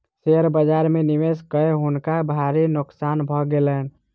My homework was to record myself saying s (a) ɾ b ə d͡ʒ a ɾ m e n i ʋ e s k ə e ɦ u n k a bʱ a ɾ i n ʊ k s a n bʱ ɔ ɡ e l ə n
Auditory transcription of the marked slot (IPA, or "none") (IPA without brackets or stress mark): e